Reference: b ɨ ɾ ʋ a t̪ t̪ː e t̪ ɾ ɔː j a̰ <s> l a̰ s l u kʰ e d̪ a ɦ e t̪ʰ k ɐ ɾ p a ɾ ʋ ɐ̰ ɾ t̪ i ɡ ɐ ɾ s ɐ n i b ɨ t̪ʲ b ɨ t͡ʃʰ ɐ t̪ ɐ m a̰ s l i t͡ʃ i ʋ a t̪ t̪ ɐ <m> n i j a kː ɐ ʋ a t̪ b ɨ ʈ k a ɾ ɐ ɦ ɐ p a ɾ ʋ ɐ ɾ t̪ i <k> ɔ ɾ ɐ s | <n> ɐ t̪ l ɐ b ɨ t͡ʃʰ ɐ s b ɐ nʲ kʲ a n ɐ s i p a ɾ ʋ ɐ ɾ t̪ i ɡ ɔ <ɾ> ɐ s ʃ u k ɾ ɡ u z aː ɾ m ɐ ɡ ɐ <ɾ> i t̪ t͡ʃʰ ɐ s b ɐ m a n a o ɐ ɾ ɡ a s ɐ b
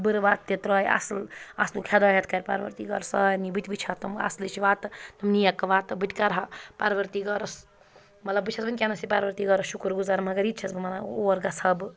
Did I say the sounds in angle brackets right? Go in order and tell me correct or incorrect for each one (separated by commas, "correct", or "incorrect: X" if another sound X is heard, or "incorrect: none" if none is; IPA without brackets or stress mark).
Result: correct, correct, incorrect: ɡ, incorrect: m, correct, correct